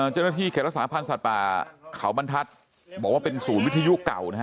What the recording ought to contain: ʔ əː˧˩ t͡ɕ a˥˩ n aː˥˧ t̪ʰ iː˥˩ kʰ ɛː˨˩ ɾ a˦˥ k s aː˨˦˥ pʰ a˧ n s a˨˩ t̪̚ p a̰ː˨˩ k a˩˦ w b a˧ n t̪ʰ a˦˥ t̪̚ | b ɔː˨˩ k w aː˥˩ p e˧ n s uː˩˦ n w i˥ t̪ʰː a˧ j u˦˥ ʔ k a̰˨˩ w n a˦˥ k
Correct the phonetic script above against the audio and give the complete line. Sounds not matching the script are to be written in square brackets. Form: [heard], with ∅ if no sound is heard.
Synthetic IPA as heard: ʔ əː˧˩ t͡ɕ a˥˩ n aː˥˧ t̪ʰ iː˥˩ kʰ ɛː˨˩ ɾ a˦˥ k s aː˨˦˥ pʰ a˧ n s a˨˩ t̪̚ p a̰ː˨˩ [kʰ] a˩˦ w b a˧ n t̪ʰ a˦˥ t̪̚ | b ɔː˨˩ k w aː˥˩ p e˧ n s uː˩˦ n w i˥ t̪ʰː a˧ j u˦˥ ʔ k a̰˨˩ w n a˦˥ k